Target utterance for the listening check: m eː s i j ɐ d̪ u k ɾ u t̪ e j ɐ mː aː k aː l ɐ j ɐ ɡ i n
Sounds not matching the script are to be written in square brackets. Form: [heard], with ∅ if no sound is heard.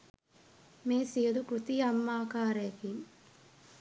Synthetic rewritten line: m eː s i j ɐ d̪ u k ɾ u t̪ [i] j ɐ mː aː k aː [ɾ] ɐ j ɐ [k] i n

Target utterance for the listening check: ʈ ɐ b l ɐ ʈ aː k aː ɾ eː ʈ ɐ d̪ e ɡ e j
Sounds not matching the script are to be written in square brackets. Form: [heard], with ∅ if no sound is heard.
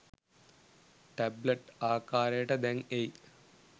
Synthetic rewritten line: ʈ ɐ b l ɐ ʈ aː k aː ɾ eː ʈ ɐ d̪ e [ŋ] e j

